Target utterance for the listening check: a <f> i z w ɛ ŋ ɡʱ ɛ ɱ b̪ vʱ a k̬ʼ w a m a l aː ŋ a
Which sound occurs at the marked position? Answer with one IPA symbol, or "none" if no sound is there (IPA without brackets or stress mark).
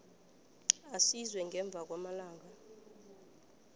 s